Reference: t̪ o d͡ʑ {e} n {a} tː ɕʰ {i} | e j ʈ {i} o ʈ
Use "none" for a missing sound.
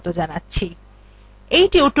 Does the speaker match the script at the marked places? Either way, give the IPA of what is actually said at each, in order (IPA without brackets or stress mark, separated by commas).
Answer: a, a, i, i